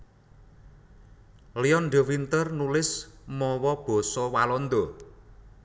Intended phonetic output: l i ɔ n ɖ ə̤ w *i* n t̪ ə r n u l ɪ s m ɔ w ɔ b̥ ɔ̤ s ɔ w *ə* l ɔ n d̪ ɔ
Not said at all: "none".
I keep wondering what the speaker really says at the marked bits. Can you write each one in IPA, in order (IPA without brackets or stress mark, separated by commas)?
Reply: i, a